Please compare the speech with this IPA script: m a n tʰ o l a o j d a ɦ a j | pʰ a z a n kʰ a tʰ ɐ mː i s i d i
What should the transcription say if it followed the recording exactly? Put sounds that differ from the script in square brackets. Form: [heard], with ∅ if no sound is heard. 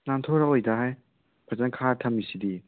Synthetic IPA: [n] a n tʰ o [ɾ] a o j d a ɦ a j | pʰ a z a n kʰ a tʰ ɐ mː i s i d i